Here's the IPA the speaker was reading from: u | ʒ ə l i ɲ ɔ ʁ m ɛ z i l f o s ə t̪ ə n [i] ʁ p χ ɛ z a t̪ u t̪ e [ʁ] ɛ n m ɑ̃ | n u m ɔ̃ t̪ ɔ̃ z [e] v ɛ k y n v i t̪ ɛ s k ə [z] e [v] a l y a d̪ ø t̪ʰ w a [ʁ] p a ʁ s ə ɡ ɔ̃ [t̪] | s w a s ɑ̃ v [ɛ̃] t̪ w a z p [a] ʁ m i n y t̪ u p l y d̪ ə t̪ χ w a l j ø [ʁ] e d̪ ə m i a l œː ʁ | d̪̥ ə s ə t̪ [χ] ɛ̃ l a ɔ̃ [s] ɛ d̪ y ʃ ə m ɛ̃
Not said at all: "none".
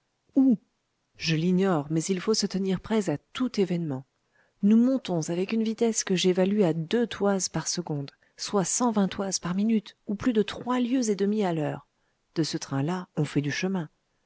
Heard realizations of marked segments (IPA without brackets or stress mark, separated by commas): i, v, a, ʒ, v, z, d̪, ɛ̃, a, z, χ, f